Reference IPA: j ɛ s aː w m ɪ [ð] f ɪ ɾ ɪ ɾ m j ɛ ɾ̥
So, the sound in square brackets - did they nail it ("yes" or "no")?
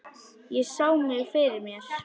no